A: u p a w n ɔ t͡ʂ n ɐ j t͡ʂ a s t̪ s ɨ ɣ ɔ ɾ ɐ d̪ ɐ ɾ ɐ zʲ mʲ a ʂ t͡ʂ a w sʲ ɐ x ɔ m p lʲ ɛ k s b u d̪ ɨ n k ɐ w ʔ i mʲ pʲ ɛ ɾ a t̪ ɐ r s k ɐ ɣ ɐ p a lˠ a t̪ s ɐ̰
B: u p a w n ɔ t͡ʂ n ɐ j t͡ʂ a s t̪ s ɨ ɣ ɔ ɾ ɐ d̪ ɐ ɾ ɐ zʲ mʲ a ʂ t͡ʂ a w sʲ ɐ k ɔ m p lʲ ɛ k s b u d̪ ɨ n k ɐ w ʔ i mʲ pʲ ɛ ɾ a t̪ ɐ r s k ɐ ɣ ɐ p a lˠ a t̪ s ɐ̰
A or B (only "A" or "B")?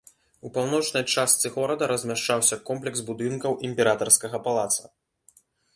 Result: B